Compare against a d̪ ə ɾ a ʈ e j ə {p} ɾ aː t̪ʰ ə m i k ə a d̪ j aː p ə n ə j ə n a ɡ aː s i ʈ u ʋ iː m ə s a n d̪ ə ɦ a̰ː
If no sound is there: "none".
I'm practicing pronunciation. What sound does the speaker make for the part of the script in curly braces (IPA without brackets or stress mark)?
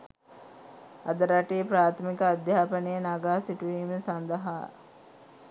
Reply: p